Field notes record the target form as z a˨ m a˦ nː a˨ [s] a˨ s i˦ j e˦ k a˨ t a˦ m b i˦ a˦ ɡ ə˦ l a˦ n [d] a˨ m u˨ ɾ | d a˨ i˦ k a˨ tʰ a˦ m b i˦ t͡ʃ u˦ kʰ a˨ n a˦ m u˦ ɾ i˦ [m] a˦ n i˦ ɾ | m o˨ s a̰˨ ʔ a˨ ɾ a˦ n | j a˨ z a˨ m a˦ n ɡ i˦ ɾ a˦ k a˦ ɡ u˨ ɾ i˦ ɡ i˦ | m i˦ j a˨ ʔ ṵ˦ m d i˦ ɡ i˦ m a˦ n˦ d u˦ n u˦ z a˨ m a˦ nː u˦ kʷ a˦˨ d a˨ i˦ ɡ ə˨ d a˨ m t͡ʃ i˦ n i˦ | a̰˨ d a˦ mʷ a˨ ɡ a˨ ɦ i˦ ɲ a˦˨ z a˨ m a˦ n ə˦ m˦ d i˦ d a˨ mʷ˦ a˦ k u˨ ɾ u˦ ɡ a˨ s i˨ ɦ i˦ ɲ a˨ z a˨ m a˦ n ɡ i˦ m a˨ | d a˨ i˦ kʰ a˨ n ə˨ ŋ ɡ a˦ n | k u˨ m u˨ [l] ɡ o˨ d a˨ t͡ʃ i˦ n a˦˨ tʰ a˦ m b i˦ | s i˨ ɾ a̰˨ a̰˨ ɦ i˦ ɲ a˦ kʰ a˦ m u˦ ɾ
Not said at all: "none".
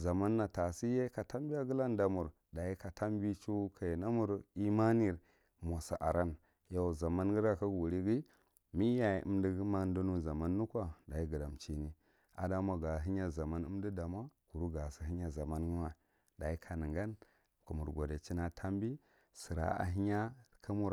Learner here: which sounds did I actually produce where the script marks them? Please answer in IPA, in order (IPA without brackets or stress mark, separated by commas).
t, d, m, ɾ